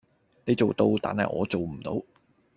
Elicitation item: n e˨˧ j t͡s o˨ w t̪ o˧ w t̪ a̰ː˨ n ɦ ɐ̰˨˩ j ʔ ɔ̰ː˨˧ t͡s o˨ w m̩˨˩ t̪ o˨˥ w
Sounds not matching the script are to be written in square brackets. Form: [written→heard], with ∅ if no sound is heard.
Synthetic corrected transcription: n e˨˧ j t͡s o˨ w t̪ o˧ w t̪ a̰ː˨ n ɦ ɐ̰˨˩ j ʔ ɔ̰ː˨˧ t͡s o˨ w m̩˨˩ t̪ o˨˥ w